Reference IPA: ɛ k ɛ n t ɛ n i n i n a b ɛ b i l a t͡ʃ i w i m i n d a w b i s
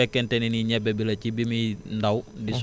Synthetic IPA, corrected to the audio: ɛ k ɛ n t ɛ n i n i ɲ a b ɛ b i l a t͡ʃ i b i m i n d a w d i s